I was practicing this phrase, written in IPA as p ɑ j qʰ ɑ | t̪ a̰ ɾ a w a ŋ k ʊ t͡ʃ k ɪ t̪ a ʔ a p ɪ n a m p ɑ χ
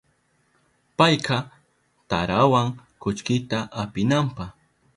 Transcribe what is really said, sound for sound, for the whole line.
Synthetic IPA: p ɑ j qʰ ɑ | t̪ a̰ ɾ a w a ŋ k ʊ t͡ʃ k ɪ t̪ a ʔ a p ɪ n a m p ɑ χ